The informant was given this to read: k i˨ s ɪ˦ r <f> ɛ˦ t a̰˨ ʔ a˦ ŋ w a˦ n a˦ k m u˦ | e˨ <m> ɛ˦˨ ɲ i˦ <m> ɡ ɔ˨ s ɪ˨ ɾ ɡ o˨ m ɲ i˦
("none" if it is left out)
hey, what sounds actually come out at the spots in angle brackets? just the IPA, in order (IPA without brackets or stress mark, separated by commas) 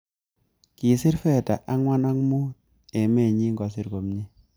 f, m, ŋ